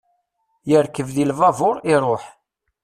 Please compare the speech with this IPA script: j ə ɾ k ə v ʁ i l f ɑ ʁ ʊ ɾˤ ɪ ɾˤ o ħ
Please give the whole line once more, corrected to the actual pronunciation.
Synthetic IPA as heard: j ə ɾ k ə v ð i l v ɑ v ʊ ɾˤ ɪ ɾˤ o ħ